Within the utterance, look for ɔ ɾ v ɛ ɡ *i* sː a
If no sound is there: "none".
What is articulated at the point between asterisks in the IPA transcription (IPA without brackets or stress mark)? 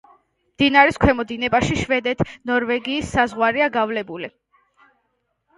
iː